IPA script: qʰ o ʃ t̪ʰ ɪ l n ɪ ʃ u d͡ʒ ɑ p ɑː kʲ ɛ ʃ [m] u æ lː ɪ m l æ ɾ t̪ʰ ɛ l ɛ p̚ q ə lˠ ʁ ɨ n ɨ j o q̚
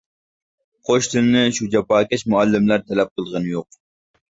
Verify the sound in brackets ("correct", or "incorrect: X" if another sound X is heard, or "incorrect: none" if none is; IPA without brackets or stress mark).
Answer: correct